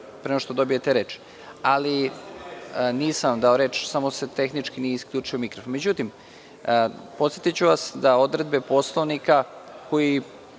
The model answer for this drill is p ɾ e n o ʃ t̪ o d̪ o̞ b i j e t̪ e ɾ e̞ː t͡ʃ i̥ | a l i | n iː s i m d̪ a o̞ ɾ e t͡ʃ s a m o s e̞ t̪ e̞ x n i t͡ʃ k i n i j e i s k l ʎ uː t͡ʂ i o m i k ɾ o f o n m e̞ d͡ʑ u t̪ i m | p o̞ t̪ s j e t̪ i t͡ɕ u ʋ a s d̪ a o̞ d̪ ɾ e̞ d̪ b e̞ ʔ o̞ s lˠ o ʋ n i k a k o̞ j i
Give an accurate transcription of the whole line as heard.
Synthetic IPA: p ɾ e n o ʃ t̪ o d̪ o̞ b i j e t̪ e ɾ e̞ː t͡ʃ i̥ | a l i | n iː s a m d̪ a o̞ ɾ e t͡ʃ s a m o s e̞ t̪ e̞ x n i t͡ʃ k i n i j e i s k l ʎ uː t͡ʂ i o m i k ɾ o f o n m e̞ d͡ʑ u t̪ i m | p o̞ t̪ s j e t̪ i t͡ɕ u ʋ a s d̪ a o̞ d̪ ɾ e̞ d̪ b e̞ p o̞ s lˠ o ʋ n i k a k o̞ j i